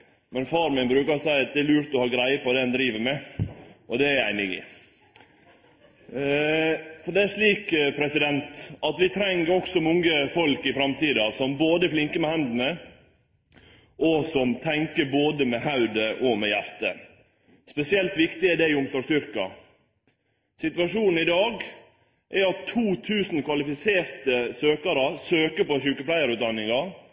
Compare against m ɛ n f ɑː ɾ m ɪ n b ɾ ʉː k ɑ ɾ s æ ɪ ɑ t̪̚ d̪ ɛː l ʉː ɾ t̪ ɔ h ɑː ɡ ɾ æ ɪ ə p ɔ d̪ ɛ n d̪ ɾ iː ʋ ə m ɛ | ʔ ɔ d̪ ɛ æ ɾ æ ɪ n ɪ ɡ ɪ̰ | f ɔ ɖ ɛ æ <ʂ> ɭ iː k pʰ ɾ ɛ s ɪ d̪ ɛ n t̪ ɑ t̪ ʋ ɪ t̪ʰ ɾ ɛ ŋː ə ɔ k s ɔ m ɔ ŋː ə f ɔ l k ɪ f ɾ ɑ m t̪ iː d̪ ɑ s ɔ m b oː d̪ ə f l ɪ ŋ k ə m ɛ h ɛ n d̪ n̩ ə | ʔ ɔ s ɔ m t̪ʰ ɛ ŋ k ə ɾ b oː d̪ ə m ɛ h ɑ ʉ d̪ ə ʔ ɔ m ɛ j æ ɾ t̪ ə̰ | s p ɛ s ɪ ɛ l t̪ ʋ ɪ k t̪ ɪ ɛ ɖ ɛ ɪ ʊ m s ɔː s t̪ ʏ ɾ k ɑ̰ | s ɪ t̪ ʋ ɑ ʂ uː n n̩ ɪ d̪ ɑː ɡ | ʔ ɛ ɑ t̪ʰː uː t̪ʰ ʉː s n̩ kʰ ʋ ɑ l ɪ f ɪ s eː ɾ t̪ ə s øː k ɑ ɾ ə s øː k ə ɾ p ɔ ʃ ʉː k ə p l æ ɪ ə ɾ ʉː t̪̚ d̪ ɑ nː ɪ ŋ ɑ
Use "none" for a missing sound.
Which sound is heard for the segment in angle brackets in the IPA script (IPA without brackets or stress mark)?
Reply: ʂ